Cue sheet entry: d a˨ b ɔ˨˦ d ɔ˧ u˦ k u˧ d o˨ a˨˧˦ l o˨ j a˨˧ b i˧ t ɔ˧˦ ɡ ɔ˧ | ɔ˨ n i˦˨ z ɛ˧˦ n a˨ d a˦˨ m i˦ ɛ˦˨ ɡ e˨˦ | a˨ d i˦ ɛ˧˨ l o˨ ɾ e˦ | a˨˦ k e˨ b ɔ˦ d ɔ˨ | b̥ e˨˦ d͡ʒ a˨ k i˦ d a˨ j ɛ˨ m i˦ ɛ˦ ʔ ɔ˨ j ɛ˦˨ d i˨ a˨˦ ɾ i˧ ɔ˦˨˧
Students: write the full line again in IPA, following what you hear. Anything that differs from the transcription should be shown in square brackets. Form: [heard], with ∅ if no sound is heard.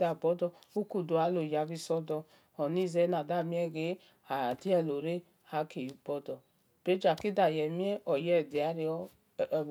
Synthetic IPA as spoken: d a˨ b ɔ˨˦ d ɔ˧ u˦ k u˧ d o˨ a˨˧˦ l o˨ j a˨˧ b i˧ [s] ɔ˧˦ [d] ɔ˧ | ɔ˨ n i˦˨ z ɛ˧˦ n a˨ d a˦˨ m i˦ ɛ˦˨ ɡ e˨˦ | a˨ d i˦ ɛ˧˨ l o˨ ɾ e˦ | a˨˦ k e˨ b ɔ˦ d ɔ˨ | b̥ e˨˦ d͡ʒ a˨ k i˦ d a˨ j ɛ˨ m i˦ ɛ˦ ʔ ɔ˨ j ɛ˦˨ d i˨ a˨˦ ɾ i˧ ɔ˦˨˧